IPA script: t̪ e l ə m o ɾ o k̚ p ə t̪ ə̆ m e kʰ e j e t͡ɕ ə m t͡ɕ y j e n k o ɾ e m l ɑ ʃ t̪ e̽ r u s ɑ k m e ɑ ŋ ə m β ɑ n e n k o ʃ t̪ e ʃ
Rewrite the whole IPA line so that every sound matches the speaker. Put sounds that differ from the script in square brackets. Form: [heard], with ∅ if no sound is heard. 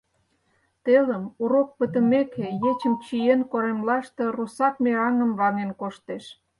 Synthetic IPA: t̪ e l ə m [u] ɾ o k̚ p ə t̪ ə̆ m e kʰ e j e t͡ɕ ə m t͡ɕ [i] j e n k o ɾ e m l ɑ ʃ t̪ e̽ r u s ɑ k m e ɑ ŋ ə m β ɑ n e n k o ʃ t̪ e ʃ